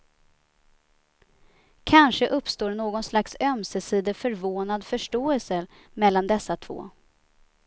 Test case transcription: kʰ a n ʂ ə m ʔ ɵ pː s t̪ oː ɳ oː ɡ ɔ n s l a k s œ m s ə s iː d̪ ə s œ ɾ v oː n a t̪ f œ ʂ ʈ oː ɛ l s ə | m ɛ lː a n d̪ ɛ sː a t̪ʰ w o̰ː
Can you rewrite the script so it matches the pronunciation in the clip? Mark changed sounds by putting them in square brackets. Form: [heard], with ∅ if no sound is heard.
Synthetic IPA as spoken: kʰ a n ʂ ə [∅] ʔ ɵ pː s t̪ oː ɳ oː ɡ ɔ n s l a k s œ m s ə s iː d̪ ə [f] œ ɾ v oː n a [d̪] f œ ʂ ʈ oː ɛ l s ə | m ɛ lː a n d̪ ɛ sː a t̪ʰ [v] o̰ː